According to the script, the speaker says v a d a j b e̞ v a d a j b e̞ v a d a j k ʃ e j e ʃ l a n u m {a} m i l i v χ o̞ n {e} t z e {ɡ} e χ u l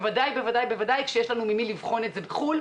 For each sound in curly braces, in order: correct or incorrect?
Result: incorrect: i, correct, incorrect: b

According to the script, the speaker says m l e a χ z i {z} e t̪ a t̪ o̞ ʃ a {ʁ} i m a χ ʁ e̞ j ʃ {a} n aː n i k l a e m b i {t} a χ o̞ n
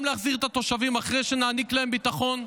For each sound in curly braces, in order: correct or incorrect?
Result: incorrect: ʁ, incorrect: v, incorrect: e, correct

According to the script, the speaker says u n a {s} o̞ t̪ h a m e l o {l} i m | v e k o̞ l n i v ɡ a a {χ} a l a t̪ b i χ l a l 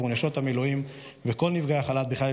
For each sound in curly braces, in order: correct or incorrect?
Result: incorrect: ʃ, incorrect: none, correct

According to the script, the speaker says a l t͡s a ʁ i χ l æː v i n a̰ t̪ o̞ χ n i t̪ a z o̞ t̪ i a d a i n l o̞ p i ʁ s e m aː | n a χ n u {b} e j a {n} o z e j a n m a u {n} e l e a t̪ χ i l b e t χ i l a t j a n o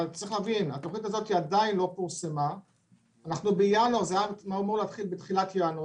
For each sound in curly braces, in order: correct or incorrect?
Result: correct, correct, incorrect: m

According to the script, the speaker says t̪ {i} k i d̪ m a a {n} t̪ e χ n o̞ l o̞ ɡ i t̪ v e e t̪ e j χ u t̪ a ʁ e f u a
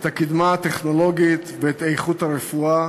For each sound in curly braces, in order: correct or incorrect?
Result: incorrect: a, incorrect: none

